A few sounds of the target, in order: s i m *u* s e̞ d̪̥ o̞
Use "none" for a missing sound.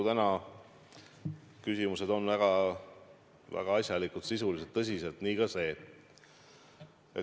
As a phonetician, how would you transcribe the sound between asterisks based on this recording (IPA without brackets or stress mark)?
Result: u